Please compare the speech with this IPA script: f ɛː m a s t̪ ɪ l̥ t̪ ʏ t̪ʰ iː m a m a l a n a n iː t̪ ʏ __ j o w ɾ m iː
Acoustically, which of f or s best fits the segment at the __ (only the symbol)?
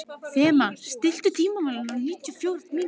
f